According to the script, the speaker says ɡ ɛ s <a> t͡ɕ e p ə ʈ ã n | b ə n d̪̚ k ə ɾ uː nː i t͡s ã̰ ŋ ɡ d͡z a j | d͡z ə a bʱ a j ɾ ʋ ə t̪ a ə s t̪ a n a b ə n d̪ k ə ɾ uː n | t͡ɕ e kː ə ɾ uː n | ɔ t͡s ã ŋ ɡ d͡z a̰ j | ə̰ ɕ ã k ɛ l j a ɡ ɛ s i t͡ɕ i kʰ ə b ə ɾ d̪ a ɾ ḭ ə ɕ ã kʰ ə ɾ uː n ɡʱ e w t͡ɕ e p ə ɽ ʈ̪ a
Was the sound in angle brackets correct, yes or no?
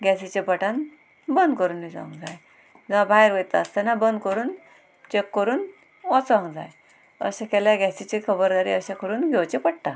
no